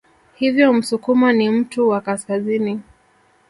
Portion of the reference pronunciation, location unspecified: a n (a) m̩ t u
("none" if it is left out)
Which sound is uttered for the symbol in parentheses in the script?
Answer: i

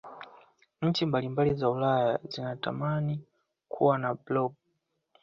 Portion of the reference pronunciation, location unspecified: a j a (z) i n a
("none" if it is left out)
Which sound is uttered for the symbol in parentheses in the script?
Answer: z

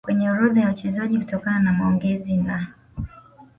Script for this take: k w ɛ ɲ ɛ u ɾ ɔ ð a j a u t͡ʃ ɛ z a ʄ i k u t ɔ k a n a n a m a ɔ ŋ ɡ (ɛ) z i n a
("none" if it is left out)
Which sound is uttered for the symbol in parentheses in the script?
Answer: ɛ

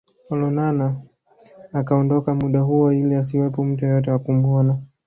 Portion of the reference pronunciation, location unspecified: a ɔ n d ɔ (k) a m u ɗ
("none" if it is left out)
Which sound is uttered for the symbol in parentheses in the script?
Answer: k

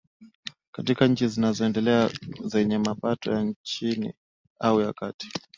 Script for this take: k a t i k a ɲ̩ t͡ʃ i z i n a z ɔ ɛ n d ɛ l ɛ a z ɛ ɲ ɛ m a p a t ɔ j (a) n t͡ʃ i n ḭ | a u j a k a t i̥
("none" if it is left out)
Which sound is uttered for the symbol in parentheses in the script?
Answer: a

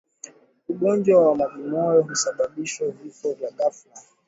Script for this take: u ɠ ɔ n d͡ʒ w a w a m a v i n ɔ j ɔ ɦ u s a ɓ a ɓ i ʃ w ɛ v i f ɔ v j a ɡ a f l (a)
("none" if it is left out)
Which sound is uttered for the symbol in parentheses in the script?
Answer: a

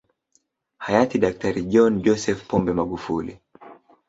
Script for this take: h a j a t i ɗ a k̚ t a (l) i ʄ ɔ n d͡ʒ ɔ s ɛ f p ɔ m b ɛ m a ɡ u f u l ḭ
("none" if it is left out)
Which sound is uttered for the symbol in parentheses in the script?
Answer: ɾ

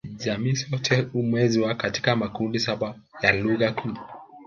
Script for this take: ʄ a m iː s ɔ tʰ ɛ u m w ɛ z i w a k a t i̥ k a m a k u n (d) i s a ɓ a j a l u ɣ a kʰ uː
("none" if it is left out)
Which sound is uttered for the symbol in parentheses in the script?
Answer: d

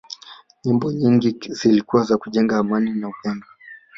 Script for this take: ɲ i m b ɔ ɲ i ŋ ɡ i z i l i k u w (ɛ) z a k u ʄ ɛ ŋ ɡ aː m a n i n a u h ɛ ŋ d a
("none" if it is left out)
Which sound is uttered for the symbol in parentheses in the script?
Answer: a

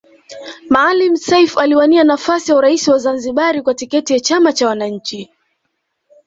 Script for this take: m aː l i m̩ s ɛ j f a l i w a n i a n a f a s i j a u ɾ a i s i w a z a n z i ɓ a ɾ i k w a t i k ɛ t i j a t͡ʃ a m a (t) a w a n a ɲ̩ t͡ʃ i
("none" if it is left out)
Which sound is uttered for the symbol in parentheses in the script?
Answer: t͡ʃ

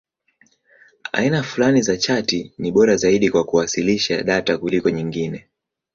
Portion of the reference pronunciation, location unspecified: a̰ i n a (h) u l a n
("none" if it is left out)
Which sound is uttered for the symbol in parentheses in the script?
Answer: f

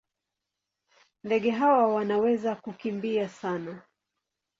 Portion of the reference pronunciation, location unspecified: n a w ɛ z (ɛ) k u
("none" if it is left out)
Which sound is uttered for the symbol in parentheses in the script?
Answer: a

